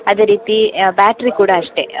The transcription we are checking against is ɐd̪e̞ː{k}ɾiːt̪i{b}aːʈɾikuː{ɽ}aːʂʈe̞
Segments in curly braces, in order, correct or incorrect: incorrect: none, correct, correct

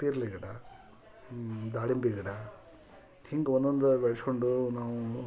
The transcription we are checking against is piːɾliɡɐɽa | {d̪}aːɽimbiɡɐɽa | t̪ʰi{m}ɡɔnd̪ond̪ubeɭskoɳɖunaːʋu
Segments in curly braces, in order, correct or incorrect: correct, incorrect: ŋ

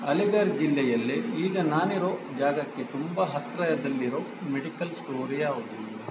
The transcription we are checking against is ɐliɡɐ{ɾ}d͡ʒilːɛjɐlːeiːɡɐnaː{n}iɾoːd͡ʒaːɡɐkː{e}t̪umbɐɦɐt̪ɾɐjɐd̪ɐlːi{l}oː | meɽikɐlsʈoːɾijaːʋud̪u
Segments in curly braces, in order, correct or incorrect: correct, correct, correct, incorrect: ɾ

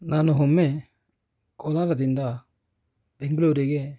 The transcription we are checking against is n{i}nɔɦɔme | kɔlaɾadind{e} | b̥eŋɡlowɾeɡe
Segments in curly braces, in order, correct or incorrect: incorrect: a, incorrect: a

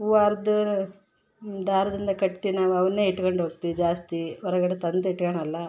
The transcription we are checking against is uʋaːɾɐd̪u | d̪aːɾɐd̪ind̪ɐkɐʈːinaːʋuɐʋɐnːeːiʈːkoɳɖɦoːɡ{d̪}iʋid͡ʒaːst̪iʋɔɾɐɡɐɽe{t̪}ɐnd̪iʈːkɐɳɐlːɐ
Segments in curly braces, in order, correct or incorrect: incorrect: t̪, correct

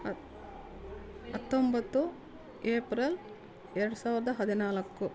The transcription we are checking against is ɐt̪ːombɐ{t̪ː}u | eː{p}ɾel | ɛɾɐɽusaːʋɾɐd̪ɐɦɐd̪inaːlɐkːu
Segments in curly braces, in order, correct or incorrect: correct, correct

